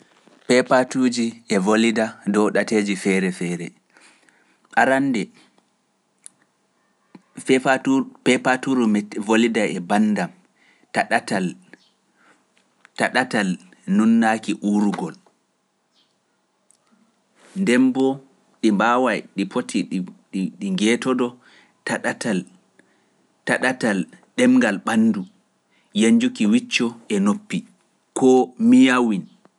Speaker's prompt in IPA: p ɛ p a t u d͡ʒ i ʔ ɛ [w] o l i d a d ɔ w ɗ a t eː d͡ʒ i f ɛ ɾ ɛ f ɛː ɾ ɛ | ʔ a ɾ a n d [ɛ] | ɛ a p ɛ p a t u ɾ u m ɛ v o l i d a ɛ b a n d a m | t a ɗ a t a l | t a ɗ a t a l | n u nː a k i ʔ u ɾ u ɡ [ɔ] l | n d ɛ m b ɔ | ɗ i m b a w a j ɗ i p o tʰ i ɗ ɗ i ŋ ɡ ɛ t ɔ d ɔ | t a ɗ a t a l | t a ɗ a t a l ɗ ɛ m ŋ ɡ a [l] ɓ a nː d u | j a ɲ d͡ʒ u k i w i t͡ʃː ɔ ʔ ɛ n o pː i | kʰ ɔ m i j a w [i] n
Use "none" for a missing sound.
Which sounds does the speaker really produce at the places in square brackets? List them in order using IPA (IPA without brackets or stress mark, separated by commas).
v, ɛ, ɔ, l, i